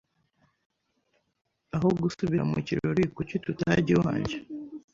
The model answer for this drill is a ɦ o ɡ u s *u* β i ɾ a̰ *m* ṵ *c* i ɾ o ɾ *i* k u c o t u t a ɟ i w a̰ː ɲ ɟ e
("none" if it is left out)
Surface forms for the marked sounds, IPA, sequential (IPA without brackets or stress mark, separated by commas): u, m, c, i